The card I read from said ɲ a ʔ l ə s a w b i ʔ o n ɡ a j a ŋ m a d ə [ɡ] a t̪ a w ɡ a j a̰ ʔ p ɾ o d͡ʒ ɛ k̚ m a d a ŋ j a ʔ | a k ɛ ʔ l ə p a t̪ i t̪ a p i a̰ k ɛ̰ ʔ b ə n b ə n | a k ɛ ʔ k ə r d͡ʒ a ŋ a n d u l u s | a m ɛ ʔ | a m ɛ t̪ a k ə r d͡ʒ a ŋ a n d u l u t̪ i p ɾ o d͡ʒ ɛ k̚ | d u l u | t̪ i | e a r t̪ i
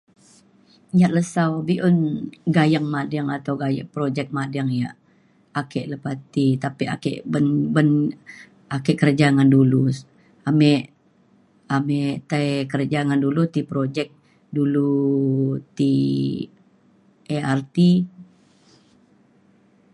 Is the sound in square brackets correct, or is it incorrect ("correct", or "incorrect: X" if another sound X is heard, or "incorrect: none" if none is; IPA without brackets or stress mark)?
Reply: incorrect: ŋ